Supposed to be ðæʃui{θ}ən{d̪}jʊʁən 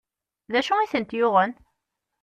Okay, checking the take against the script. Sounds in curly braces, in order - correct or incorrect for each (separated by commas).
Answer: correct, incorrect